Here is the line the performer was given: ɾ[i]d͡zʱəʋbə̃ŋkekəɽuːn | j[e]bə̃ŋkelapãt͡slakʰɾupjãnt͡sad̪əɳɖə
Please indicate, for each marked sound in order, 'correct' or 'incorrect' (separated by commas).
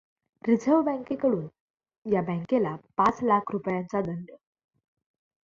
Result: correct, incorrect